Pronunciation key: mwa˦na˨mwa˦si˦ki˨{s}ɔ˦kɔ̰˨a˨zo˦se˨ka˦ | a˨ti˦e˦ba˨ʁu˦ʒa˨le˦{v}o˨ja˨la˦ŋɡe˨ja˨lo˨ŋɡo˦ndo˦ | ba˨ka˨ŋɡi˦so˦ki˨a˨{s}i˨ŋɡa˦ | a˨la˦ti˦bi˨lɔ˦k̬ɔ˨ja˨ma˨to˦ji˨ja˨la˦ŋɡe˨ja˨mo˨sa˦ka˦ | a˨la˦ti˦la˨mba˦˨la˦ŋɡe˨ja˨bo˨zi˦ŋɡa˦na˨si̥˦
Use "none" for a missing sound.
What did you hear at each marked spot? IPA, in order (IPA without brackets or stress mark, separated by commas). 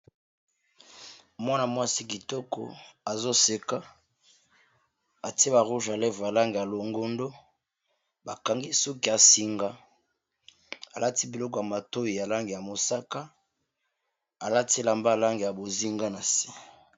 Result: t, v, s